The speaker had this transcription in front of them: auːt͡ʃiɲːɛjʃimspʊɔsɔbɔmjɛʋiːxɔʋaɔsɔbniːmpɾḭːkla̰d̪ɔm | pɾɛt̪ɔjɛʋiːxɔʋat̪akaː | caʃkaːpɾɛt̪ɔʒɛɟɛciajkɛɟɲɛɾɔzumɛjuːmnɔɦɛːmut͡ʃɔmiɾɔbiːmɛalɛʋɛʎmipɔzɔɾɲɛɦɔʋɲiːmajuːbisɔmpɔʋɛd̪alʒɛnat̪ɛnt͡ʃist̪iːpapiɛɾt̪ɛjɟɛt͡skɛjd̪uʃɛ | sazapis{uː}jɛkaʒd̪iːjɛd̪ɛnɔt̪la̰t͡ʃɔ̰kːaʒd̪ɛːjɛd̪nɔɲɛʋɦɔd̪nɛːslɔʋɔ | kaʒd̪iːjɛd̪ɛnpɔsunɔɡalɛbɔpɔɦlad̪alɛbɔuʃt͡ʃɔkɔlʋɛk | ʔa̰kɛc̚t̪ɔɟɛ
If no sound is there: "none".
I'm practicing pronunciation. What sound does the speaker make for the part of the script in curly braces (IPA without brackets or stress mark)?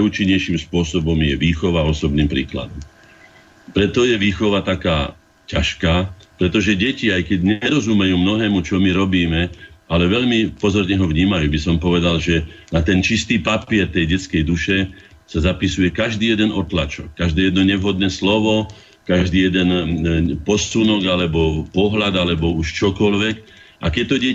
u